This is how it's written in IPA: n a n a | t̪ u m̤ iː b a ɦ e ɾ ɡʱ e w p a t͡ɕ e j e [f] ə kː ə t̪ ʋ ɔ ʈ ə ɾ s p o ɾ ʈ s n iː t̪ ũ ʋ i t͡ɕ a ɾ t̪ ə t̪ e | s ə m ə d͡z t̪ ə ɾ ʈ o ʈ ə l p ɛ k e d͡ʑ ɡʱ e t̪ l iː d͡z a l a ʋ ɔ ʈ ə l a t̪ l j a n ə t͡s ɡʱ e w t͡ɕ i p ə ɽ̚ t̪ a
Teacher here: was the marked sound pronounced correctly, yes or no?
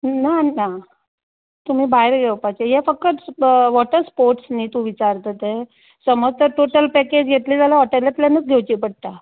yes